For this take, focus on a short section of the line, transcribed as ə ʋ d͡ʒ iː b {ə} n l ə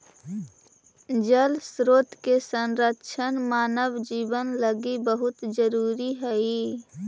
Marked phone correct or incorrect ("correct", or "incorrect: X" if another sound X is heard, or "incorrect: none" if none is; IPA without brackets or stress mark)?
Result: correct